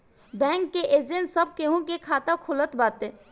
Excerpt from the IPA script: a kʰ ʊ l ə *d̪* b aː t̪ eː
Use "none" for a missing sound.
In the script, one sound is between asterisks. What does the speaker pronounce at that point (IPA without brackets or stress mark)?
t̪